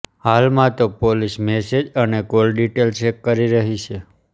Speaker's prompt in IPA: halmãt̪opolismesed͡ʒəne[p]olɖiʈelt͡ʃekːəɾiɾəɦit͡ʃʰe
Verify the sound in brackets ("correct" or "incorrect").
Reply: incorrect